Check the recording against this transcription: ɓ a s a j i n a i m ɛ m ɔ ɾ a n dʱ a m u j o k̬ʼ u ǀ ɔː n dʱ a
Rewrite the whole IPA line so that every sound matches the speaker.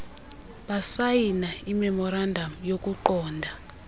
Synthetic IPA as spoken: ɓ a s a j i n a i m ɛ m ɔ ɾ a n dʱ a m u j o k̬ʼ u ǃ ɔː n dʱ a